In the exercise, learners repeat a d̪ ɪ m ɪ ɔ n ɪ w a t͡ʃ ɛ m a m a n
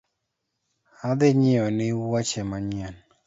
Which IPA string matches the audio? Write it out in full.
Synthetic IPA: a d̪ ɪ ɲ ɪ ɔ n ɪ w a t͡ʃ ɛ m a ɲ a n